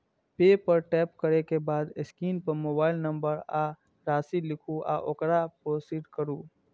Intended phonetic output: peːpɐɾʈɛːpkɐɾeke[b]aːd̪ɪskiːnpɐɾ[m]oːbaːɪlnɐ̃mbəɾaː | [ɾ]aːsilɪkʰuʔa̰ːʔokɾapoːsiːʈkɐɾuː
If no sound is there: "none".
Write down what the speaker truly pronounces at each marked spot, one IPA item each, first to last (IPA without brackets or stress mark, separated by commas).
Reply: b, m, ɾ